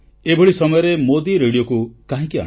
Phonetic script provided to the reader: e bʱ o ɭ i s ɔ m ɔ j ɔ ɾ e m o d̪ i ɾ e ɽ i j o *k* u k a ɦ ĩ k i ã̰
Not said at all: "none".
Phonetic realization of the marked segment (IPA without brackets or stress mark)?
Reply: k